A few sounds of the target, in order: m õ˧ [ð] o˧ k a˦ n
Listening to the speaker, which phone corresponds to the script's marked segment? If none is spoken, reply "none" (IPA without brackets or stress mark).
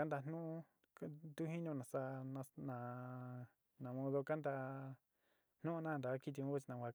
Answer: ð